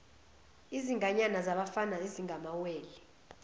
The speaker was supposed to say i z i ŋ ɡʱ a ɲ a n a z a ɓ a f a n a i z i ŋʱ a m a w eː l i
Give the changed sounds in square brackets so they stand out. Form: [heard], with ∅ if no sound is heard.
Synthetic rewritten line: i z i ŋ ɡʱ a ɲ a n a z a ɓ a f a n a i z i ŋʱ a m a w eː l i

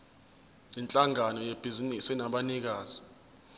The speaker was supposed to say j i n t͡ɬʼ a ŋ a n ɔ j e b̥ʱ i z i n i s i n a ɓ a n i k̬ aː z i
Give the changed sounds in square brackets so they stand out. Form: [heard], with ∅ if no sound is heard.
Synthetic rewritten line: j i n t͡ɬʼ a ŋ a n ɔ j e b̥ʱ i z i n i s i n a ɓ a n i k̬ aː z i

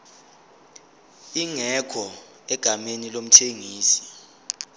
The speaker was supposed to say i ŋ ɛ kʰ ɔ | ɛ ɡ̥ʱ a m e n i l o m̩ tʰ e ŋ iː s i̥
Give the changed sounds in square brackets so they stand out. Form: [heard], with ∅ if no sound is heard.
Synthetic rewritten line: i ŋ ɛ kʰ ɔ | ɛ ɡ̥ʱ a m e n i l o m̩ tʰ e ŋ iː s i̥

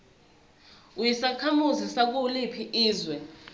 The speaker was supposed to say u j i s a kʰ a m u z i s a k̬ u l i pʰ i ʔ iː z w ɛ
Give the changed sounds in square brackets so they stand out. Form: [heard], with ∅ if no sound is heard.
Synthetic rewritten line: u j i s a kʰ a m u z i s a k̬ u l i pʰ i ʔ iː z w ɛ

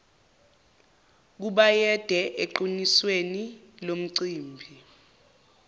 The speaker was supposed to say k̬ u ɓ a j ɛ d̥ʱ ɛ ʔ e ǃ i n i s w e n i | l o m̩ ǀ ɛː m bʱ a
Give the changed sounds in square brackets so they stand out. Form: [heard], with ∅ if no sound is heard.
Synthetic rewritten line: k̬ u ɓ a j ɛ d̥ʱ ɛ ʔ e ǃ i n i s w e n i | l o m̩ ǀ [iː] m bʱ [i]

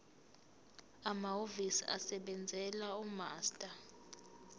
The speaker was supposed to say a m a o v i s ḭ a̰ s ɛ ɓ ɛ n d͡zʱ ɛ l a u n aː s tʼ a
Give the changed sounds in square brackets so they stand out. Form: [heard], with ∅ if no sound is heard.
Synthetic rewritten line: a m a o v i s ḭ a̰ s ɛ ɓ ɛ n d͡zʱ ɛ l a u [m] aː s tʼ a

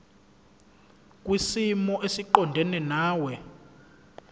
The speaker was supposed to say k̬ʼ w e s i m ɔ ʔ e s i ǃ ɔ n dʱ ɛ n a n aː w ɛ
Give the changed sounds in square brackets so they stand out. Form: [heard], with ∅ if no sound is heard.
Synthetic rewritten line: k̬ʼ w [i] s i m ɔ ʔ e s i ǃ ɔ n dʱ ɛ n [ɛ] n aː w ɛ

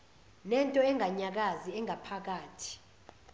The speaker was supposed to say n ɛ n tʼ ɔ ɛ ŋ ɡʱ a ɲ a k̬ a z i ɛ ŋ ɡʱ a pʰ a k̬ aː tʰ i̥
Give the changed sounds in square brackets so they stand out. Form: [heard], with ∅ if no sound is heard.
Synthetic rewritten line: n ɛ n tʼ ɔ ɛ ŋ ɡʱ a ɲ a k̬ a z i ɛ ŋ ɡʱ a pʰ a k̬ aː tʰ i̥

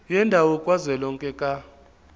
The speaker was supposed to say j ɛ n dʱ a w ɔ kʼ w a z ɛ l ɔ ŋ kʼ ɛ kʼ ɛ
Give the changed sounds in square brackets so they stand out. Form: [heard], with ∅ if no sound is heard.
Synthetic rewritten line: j ɛ n dʱ a w ɔ kʼ w a z ɛ l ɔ ŋ kʼ ɛ kʼ [a]

